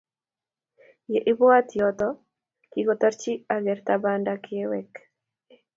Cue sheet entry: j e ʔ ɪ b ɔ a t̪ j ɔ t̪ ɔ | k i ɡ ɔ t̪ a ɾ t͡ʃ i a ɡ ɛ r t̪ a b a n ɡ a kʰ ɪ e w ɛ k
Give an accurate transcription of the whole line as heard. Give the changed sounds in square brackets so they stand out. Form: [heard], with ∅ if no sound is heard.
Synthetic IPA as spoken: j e ʔ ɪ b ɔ a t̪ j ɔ t̪ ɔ | k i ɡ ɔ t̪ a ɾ t͡ʃ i a ɡ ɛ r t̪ a b a n [d] a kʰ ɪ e w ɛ k